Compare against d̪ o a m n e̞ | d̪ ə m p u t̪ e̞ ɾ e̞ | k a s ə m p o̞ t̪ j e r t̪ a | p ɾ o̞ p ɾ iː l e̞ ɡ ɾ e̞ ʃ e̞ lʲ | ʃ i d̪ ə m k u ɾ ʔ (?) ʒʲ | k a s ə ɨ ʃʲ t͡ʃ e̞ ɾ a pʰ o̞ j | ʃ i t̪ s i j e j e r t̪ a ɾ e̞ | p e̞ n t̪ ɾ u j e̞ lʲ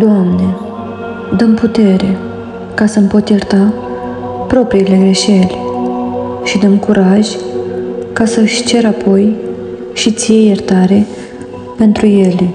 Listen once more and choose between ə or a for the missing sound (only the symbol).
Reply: a